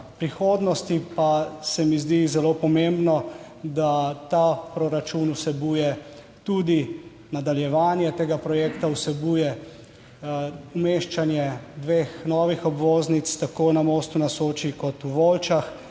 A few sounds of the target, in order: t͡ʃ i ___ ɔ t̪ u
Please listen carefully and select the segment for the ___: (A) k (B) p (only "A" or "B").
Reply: A